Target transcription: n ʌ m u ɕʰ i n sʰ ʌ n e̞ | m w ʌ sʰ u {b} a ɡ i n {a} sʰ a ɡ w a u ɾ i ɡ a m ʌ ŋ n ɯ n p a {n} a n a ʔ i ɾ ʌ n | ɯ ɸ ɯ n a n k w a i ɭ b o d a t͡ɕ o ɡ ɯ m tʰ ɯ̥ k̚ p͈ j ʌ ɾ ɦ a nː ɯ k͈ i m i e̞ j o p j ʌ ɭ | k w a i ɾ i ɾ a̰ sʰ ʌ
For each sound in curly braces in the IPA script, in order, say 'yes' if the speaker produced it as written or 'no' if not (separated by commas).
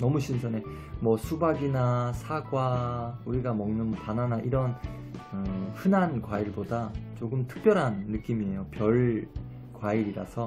yes, yes, yes